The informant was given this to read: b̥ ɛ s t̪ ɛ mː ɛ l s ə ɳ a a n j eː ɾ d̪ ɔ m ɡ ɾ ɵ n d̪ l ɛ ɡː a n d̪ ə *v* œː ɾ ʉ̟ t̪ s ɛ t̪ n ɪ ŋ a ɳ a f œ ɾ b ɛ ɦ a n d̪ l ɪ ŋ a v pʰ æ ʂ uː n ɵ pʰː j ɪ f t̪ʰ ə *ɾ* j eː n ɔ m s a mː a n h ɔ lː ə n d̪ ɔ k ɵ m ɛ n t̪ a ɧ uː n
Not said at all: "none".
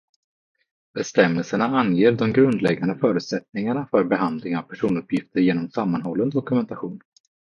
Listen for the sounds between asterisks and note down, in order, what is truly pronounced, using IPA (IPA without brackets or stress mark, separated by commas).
f, ɾ